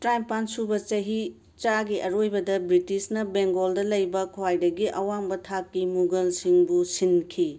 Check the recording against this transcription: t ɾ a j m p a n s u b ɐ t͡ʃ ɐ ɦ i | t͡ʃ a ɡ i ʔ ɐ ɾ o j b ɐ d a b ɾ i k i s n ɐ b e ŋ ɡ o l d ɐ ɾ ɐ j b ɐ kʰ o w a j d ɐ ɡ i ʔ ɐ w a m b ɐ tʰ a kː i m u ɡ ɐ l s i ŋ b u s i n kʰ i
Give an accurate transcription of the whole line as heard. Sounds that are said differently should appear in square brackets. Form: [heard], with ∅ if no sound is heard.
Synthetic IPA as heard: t ɾ a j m p a n s u b ɐ t͡ʃ ɐ ɦ i | t͡ʃ a ɡ i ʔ ɐ ɾ o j b ɐ d [ɐ] b ɾ i [t] i s n ɐ b e ŋ ɡ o l d ɐ [l] ɐ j b ɐ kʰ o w a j d ɐ ɡ i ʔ ɐ w a m b ɐ tʰ a kː i m u ɡ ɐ l s i ŋ b u s i n kʰ i